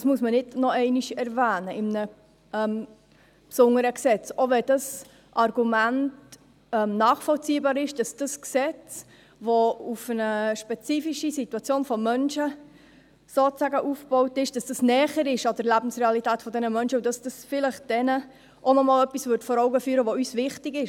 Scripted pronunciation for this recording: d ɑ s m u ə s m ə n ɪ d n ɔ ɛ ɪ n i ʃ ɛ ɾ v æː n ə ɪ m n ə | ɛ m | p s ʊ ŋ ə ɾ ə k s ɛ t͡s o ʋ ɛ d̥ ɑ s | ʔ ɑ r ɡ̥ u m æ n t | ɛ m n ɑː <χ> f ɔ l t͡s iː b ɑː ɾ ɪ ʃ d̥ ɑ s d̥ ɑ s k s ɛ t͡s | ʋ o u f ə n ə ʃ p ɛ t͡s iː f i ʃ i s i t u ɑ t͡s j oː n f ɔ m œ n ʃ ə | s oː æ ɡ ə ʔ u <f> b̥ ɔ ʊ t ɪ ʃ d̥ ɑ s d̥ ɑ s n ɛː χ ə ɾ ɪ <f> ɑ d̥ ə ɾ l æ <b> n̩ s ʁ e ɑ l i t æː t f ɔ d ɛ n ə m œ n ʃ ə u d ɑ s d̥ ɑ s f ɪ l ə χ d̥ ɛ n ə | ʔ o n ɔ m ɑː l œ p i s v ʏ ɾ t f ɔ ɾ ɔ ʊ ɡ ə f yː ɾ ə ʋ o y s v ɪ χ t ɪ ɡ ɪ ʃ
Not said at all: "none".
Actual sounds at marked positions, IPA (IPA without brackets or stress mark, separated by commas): χ, f, ʃ, b